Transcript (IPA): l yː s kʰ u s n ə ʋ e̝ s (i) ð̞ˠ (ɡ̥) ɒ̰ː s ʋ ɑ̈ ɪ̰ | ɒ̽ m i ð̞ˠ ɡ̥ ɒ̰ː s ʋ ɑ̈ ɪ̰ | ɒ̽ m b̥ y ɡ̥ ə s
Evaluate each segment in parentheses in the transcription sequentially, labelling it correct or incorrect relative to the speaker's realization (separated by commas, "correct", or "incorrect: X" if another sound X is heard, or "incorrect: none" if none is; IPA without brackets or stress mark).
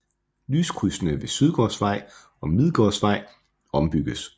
incorrect: y, correct